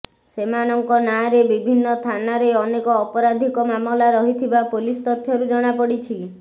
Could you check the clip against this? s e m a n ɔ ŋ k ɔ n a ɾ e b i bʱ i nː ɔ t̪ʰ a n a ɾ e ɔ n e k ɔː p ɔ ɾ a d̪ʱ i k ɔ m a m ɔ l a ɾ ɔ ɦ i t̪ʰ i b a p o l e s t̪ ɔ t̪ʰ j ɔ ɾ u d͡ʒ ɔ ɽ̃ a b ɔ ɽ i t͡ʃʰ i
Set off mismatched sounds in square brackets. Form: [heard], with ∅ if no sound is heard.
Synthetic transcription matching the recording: s e m a n ɔ ŋ k ɔ n a ɾ e b i bʱ i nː ɔ t̪ʰ a n a ɾ e ɔ n e k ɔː p ɔ ɾ a d̪ʱ i k ɔ m a m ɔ l a ɾ ɔ ɦ i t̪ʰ i b a p o l [i] s t̪ ɔ t̪ʰ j ɔ ɾ u d͡ʒ ɔ ɽ̃ a [p] ɔ ɽ i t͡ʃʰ i